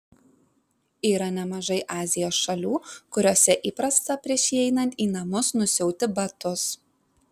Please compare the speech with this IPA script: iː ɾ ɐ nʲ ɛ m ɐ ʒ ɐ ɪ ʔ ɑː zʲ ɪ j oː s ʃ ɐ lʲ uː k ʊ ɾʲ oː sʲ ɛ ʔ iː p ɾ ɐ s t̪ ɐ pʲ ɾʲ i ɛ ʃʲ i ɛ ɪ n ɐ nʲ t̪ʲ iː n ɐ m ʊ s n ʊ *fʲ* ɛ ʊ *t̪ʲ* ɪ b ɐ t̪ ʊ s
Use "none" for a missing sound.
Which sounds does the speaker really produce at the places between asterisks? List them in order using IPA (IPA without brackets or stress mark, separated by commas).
sʲ, t̪ʲ